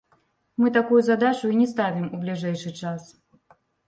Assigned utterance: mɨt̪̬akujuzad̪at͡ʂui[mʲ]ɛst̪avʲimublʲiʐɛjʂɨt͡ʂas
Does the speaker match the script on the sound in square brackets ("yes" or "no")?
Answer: no